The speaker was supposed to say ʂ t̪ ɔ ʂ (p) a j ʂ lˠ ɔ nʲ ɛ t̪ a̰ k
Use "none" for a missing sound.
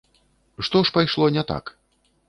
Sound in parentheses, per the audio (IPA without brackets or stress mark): p